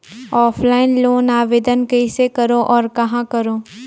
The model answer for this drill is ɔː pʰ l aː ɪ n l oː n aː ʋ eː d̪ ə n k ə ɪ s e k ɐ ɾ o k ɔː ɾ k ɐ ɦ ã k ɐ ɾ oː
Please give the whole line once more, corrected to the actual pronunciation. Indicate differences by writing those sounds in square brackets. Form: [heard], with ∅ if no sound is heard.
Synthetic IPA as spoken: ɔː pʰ l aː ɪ n l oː n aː ʋ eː d̪ ə n k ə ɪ s e k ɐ ɾ o [ʔ] ɔː ɾ k ɐ ɦ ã k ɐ ɾ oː

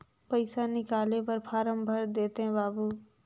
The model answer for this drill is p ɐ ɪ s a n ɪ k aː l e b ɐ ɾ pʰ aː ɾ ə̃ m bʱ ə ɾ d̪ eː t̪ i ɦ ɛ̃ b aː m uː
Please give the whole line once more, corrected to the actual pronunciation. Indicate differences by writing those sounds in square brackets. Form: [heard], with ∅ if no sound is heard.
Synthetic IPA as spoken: p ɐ ɪ s a n ɪ k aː l e [p] ɐ ɾ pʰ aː ɾ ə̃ m bʱ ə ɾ d̪ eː t̪ [e] ɦ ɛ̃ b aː [b] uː

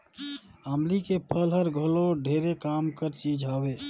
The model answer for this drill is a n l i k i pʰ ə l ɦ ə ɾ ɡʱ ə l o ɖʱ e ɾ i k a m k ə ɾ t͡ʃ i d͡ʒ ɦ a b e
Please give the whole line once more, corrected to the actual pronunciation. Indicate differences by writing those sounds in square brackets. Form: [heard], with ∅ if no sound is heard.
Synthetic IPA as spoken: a [m] l i k [e] pʰ ə l ɦ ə ɾ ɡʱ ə l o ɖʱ e ɾ [e] k a m k ə ɾ t͡ʃ i d͡ʒ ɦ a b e

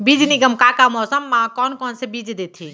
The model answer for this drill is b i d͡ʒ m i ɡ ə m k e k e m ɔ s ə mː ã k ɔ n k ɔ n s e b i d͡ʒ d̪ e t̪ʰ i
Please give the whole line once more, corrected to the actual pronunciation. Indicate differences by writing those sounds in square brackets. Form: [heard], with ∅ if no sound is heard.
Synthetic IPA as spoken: b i d͡ʒ [n] i ɡ ə m k [a] k [a] m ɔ s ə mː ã k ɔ n k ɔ n s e b i d͡ʒ d̪ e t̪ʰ i

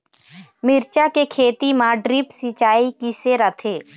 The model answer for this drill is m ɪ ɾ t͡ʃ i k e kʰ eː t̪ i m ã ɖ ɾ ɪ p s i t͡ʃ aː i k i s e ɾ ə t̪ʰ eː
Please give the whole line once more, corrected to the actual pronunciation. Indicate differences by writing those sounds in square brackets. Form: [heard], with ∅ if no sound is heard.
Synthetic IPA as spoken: m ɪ ɾ t͡ʃ [a] k e kʰ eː t̪ i m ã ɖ ɾ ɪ p s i t͡ʃ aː i k i s e ɾ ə t̪ʰ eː

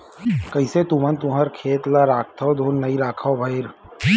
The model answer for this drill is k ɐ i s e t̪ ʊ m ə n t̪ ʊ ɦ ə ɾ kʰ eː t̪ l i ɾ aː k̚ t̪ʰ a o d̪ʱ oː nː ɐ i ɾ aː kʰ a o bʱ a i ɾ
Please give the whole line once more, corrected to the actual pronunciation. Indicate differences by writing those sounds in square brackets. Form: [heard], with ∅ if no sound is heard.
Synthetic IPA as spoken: k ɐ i s e t̪ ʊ m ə n t̪ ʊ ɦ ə ɾ kʰ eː t̪ l [a] ɾ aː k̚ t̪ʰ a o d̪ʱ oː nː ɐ i ɾ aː kʰ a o bʱ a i ɾ

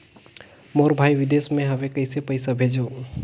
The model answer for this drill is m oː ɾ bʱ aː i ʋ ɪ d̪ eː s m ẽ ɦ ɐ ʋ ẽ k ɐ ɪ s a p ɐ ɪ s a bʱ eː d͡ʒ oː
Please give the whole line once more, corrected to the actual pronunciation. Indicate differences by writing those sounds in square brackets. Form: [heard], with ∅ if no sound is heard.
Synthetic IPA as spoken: m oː ɾ bʱ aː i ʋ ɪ d̪ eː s m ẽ ɦ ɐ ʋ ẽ k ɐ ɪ s [e] p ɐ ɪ s a bʱ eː d͡ʒ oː

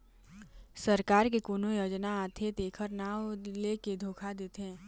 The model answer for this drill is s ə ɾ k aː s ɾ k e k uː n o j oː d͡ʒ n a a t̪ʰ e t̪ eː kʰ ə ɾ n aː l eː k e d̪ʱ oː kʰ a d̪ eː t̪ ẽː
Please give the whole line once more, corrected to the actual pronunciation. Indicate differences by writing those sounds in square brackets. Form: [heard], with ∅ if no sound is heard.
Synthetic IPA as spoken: s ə ɾ k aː [∅] ɾ k e k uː n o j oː d͡ʒ n a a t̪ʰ e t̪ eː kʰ ə ɾ n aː l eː k e d̪ʱ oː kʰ a d̪ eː t̪ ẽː

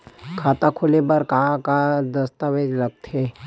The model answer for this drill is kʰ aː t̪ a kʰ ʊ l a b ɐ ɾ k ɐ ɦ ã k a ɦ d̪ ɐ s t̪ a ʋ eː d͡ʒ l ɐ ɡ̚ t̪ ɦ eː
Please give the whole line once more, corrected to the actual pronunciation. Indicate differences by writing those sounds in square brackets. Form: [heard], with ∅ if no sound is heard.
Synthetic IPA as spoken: kʰ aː t̪ a kʰ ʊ l [e] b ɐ ɾ k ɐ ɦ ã k a [∅] d̪ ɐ s t̪ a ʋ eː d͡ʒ l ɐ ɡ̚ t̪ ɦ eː

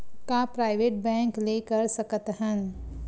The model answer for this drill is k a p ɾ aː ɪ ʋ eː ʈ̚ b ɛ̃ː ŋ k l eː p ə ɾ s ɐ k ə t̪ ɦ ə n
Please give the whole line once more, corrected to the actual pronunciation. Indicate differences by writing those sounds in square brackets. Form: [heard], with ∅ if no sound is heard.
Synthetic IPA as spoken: k a p ɾ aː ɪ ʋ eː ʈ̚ b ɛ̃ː ŋ k l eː [k] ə ɾ s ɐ k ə t̪ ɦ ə n

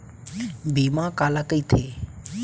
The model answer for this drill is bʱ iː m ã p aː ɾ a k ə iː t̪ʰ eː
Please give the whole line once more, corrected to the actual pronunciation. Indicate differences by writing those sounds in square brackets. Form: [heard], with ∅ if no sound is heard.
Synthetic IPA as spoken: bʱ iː m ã [k] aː [l] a k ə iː t̪ʰ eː

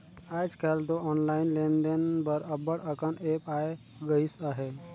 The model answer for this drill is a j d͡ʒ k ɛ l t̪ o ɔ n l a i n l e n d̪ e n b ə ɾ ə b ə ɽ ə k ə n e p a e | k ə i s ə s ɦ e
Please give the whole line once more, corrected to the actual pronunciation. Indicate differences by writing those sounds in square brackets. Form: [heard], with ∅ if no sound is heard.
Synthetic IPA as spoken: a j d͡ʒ k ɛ l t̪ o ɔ n l a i n l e n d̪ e n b ə ɾ ə b ə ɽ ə k ə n e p a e | [ɡ] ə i s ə [∅] ɦ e

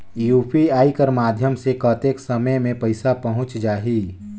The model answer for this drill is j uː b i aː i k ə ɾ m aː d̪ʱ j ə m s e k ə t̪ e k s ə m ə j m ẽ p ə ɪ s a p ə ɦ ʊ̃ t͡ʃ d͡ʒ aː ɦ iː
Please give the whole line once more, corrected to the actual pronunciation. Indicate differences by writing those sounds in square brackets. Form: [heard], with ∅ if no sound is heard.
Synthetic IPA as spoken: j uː [p] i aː i k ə ɾ m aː d̪ʱ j ə m s e k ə t̪ e k s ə m ə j m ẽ p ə ɪ s a p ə ɦ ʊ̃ t͡ʃ d͡ʒ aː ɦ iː

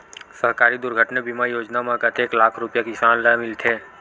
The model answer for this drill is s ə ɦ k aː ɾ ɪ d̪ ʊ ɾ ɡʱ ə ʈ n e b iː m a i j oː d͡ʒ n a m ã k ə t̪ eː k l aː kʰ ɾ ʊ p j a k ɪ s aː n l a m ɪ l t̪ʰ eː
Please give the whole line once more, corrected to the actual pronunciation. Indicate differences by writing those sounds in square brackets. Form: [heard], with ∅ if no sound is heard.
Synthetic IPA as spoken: s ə ɦ k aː ɾ [i] d̪ ʊ ɾ ɡʱ ə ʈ n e b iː m a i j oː d͡ʒ n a m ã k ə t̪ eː k l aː kʰ ɾ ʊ p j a k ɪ s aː n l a m ɪ l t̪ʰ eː

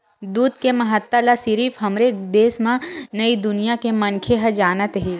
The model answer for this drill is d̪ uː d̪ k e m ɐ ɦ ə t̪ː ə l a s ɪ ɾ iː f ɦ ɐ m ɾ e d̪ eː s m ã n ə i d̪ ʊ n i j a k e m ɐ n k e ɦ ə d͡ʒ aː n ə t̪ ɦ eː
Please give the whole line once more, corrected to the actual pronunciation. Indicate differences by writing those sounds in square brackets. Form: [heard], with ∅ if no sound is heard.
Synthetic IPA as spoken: d̪ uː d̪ k e m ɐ ɦ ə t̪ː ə l a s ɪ ɾ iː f ɦ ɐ m ɾ e d̪ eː s m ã n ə i d̪ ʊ n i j a k e m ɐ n [kʰ] e ɦ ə d͡ʒ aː n ə t̪ ɦ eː

